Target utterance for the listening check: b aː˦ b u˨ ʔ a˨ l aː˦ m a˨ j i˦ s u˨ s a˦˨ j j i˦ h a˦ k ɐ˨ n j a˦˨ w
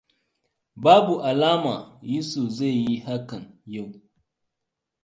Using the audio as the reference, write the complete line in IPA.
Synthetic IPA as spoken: b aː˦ b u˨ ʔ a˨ l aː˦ m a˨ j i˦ s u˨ z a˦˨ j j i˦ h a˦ k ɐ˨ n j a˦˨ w

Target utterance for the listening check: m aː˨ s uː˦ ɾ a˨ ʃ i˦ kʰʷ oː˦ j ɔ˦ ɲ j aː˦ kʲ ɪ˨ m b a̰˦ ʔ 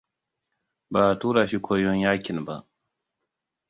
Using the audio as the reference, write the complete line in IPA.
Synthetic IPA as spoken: b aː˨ t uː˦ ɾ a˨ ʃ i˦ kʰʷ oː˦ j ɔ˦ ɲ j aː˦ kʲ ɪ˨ n b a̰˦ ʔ

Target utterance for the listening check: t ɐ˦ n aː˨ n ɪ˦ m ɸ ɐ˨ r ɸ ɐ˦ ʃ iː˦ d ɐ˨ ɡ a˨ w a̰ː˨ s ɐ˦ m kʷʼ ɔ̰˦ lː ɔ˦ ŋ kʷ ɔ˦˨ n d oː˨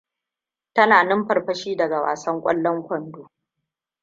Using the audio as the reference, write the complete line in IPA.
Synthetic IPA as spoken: t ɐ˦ n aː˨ n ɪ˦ m ɸ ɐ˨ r ɸ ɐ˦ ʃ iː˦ d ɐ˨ ɡ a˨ w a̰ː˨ s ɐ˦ ŋ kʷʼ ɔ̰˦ lː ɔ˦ ŋ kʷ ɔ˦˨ n d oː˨

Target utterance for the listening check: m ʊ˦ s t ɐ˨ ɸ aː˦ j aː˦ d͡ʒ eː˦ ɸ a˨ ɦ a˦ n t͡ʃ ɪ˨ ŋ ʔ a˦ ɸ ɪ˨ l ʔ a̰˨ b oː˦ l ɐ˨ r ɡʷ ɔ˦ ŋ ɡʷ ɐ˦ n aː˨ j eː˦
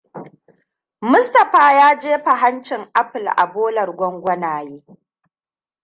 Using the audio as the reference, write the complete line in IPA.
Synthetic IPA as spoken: m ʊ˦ s t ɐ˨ ɸ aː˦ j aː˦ d͡ʒ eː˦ ɸ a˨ ɦ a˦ n t͡ʃ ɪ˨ ŋ ʔ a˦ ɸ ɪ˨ l ʔ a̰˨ b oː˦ l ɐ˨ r ɡʷ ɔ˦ ŋ ɡʷ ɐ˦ n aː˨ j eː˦

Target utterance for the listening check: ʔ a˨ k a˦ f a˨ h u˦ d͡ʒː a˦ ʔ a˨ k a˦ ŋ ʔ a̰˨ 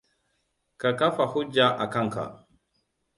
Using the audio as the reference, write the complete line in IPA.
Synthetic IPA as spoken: k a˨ k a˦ f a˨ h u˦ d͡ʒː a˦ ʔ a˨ k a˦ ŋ k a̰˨

